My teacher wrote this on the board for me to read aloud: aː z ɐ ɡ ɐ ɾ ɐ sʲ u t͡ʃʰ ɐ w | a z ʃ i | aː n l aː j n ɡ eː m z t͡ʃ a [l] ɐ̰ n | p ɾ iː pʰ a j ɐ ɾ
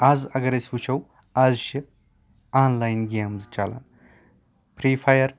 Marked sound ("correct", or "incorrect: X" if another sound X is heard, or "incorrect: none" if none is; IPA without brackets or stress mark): correct